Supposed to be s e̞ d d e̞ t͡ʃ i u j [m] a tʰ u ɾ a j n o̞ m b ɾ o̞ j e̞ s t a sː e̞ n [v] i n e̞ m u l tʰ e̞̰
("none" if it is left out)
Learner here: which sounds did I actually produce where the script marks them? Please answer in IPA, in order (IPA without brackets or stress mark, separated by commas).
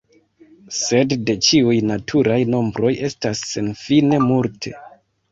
n, f